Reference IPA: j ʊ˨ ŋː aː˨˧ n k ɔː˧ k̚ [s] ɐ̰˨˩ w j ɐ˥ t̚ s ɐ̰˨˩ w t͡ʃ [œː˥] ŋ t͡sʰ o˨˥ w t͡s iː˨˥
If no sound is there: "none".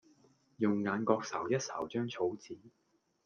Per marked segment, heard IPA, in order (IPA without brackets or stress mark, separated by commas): s, œː˥